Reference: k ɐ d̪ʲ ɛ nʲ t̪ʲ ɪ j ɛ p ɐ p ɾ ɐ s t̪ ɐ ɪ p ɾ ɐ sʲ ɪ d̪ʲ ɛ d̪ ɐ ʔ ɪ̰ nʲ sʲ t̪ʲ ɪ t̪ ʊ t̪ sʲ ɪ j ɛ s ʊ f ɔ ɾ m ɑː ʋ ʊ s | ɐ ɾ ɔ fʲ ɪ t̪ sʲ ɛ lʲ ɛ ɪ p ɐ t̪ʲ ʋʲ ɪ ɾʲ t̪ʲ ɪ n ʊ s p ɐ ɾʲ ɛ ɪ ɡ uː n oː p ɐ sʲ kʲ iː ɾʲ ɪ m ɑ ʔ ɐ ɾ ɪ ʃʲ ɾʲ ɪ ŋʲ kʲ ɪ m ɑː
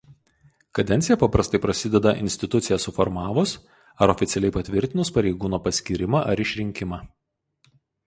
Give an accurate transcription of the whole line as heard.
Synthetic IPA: k ɐ d̪ʲ ɛ nʲ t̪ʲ ɪ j ɛ p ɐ p ɾ ɐ s t̪ ɐ ɪ p ɾ ɐ sʲ ɪ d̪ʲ ɛ d̪ ɐ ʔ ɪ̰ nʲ sʲ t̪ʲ ɪ t̪ ʊ t̪ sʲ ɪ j ɛ s ʊ f ɔ ɾ m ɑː ʋ ʊ s | ɐ ɾ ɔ fʲ ɪ t̪ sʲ ɛ lʲ ɛ ɪ p ɐ t̪ʲ ʋʲ ɪ ɾʲ t̪ʲ ɪ n ʊ s p ɐ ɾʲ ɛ ɪ ɡ uː n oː p ɐ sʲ kʲ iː ɾʲ ɪ m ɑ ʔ ɐ ɾ ɪ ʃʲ ɾʲ ɪ ŋʲ kʲ ɪ m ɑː